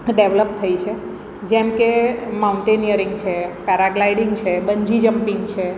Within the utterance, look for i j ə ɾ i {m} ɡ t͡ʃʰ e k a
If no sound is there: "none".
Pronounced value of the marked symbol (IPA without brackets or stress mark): ŋ